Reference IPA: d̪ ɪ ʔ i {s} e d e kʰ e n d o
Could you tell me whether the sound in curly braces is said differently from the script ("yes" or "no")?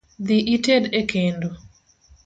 yes